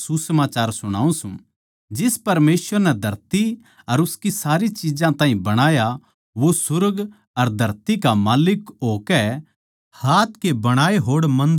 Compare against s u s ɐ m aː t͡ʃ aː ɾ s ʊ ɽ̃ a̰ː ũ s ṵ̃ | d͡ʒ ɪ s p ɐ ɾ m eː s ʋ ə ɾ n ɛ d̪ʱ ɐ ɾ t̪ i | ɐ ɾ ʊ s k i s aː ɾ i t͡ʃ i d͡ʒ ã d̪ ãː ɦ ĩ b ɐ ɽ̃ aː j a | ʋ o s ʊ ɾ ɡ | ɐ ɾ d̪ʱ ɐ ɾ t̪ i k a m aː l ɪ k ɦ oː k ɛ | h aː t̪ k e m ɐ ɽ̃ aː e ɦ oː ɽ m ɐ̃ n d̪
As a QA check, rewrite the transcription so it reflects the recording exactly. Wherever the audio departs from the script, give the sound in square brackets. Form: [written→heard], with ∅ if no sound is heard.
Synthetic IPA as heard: s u s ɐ m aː t͡ʃ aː ɾ s ʊ ɽ̃ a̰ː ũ s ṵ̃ | d͡ʒ ɪ s p ɐ ɾ m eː s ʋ ə ɾ n ɛ d̪ʱ ɐ ɾ t̪ i | ɐ ɾ ʊ s k i s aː ɾ i t͡ʃ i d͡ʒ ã [d̪→t̪] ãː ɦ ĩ b ɐ ɽ̃ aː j a | ʋ o s ʊ ɾ ɡ | ɐ ɾ d̪ʱ ɐ ɾ t̪ i k a m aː l ɪ k ɦ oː k ɛ | h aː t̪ k e [m→b] ɐ ɽ̃ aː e ɦ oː ɽ m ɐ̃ n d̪